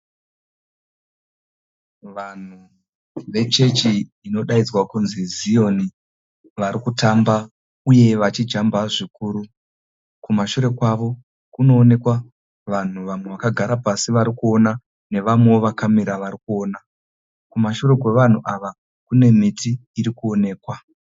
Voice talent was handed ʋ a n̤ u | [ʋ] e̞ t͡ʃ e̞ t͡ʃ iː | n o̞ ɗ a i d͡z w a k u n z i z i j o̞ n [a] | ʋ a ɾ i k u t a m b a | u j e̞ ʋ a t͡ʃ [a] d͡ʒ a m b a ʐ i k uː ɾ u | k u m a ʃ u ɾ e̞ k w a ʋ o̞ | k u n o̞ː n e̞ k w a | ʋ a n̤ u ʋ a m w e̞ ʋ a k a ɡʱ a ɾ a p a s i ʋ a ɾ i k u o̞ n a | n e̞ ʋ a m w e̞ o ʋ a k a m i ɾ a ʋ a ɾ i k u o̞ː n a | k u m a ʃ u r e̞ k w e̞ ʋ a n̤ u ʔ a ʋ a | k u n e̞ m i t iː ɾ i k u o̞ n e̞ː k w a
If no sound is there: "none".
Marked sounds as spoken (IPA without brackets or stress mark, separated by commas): ʋ, i, i